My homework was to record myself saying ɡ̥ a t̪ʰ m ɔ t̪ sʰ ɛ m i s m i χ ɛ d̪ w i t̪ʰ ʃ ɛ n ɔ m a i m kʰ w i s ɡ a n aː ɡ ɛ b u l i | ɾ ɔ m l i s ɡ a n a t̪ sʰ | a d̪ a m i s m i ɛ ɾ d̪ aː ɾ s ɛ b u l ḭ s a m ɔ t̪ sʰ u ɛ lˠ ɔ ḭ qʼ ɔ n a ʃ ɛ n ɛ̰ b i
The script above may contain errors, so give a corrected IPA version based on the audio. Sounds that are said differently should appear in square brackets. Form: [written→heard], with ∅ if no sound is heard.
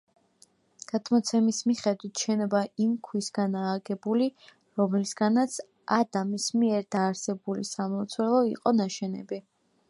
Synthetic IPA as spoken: ɡ̥ a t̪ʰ m ɔ t̪ sʰ ɛ m i s m i χ ɛ d̪ w i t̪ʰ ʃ ɛ n ɔ [m→b] a i m kʰ w i s ɡ a n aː ɡ ɛ b u l i | ɾ ɔ m l i s ɡ a n a t̪ sʰ | a d̪ a m i s m i ɛ ɾ d̪ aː ɾ s ɛ b u l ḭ s a m ɔ t̪ sʰ [u→w] ɛ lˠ ɔ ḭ qʼ ɔ n a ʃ ɛ n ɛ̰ b i